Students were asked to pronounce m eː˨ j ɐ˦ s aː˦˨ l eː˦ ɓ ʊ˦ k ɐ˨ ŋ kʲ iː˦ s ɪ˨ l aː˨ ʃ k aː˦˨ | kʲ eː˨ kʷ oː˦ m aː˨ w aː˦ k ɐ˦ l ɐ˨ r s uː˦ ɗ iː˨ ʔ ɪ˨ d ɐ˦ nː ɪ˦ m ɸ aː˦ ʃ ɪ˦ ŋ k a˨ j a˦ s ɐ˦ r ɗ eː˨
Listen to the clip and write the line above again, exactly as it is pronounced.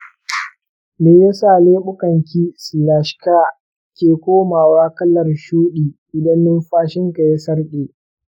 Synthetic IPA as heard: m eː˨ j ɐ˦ s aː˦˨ l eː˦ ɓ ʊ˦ k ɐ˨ ŋ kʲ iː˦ s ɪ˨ l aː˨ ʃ k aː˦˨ | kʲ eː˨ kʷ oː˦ m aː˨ w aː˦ k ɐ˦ l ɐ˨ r ʃ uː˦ ɗ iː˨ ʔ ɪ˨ d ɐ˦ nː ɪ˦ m ɸ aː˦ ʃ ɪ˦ ŋ k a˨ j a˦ s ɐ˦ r ɗ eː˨